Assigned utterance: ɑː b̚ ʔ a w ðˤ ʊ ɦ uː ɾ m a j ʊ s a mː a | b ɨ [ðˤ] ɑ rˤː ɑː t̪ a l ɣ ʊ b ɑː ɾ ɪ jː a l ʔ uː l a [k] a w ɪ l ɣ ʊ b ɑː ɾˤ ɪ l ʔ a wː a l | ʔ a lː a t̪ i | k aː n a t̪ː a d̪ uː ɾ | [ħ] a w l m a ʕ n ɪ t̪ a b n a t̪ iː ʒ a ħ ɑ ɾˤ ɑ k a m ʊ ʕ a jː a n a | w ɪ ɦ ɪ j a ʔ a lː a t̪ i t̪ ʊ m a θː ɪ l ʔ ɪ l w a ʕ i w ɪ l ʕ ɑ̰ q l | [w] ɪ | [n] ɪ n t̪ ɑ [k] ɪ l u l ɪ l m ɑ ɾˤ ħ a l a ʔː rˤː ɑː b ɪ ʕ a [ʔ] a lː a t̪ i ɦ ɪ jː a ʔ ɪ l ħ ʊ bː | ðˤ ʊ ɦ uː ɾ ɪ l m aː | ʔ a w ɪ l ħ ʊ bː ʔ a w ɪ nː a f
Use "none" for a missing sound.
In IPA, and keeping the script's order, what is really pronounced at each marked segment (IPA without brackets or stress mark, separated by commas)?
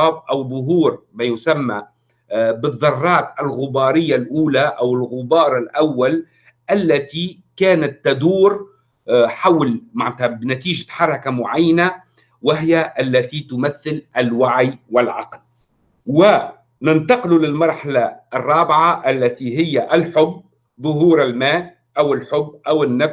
ðˤː, ʔ, ħ, w, n, q, ʔ